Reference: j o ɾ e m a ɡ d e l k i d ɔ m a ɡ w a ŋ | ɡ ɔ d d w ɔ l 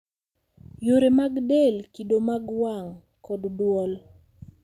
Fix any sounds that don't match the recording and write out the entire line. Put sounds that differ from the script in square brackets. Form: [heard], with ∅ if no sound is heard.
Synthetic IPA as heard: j o ɾ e m a ɡ d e l k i d [o] m a ɡ w a ŋ | [k] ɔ d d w ɔ l

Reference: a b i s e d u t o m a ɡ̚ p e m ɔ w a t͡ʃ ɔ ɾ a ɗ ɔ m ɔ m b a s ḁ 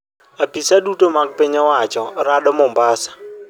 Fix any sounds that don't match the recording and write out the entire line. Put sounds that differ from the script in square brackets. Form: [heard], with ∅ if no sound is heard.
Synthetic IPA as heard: a [p] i s [a] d u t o m a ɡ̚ p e [ɲ] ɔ w a t͡ʃ ɔ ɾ a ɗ ɔ m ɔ m b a s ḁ

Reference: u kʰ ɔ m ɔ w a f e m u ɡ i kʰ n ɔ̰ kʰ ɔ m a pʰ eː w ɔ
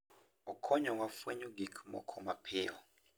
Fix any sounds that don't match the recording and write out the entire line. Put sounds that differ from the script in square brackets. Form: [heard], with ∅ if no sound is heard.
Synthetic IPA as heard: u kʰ ɔ [ɲ] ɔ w a f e [ɲ] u ɡ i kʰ [m] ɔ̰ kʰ ɔ m a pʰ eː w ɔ

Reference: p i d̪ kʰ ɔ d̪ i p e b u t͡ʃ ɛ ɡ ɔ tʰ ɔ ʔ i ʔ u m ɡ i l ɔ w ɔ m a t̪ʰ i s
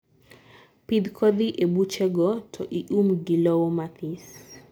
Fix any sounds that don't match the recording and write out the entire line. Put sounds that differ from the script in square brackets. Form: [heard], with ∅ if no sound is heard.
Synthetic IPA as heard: p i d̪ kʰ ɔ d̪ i [ʔ] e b u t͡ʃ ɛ ɡ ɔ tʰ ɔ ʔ i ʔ u m ɡ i l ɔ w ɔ m a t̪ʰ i s

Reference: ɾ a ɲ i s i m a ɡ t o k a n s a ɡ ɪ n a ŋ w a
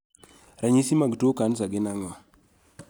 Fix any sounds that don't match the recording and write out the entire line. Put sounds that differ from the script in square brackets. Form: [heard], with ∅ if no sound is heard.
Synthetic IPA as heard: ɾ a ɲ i s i m a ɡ t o k a n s a ɡ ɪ n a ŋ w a

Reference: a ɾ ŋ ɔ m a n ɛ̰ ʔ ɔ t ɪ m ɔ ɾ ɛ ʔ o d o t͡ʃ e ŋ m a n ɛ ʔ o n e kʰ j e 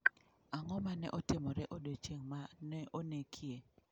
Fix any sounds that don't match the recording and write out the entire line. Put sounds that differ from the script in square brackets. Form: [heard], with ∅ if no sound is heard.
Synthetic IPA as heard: a [∅] ŋ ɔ m a n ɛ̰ ʔ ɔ t ɪ m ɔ ɾ ɛ ʔ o d o t͡ʃ e ŋ m a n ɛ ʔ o n e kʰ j e

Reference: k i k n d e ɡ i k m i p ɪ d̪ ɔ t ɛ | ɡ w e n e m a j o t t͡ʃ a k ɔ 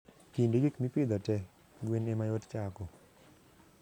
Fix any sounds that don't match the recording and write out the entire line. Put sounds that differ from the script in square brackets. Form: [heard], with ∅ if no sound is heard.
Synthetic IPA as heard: k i [∅] n d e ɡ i k m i p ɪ d̪ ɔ t ɛ | ɡ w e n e m a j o t t͡ʃ a k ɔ

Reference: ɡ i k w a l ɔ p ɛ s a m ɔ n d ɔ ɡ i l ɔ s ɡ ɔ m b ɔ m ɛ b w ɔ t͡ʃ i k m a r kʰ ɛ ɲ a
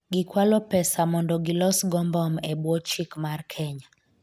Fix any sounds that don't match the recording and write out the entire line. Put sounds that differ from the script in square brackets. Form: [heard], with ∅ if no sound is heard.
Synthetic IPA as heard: ɡ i k w a l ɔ p ɛ s a m ɔ n d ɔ ɡ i l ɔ s ɡ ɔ m b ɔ m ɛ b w ɔ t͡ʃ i k m a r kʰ ɛ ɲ a

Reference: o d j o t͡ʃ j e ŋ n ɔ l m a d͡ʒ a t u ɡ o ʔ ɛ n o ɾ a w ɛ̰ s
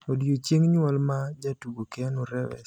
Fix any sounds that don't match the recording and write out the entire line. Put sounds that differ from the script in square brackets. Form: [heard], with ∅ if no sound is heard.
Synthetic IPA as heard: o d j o t͡ʃ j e ŋ [ɲ] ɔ l m a d͡ʒ a t u ɡ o [k] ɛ n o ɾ [ɛ] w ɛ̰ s

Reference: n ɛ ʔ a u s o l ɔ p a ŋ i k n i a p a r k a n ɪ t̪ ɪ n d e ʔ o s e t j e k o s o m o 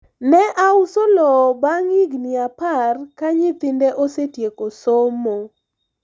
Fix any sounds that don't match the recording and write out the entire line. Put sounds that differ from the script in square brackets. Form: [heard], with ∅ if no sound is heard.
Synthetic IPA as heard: n ɛ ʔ a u s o l ɔ [b] a ŋ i [ɡ] n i a p a r k a [ɲ] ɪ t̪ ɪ n d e ʔ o s e t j e k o s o m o

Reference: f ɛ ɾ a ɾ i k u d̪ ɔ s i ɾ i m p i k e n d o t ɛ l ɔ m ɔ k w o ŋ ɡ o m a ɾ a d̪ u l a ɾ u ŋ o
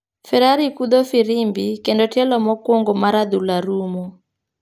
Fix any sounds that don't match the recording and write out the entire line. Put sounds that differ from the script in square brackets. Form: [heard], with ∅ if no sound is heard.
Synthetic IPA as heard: f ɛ ɾ a ɾ i k u d̪ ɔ [f] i ɾ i m [b] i k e n d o t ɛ l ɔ m ɔ k w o ŋ ɡ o m a ɾ a d̪ u l a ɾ u [m] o

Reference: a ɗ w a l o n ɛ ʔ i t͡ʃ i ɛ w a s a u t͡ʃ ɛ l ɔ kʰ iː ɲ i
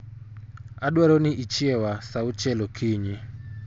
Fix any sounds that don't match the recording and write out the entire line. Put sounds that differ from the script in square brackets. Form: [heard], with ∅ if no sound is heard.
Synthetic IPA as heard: a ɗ w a [ɾ] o n [i] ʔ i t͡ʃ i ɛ w a s a u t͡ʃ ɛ l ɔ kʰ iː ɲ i

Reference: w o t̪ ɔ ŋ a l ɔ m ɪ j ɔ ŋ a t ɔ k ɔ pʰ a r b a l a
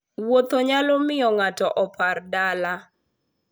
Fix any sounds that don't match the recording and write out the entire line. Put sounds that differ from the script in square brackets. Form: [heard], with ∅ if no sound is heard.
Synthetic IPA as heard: w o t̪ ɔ [ɲ] a l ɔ m ɪ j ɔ ŋ a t ɔ [ʔ] ɔ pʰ a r [d] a l a

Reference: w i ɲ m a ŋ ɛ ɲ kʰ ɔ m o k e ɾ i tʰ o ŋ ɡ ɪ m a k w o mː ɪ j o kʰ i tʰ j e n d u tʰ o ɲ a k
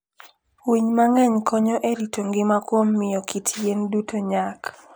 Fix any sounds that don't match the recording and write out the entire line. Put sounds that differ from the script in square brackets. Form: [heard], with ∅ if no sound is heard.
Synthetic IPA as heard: w i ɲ m a ŋ ɛ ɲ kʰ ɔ [ɲ] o [ʔ] e ɾ i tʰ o ŋ ɡ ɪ m a k w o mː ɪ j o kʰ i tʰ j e n d u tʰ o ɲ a k

